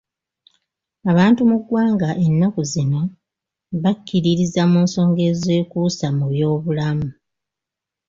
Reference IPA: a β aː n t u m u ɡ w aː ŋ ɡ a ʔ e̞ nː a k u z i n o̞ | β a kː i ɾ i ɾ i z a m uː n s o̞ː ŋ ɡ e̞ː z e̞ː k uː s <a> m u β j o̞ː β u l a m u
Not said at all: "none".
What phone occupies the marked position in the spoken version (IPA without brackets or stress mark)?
a